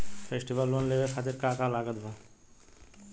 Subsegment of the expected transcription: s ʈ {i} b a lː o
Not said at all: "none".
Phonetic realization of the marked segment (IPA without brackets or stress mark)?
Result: i